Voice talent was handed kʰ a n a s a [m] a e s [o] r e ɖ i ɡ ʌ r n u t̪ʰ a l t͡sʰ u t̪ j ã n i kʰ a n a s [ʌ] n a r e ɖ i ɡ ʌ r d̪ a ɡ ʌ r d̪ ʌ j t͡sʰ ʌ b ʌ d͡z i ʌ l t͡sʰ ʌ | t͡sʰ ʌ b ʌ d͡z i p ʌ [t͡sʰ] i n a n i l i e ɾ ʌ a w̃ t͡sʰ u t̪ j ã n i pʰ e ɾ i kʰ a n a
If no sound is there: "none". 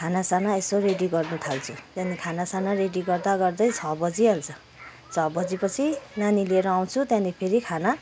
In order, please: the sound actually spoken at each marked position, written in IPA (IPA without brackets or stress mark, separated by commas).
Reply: n, o, a, t͡sʰ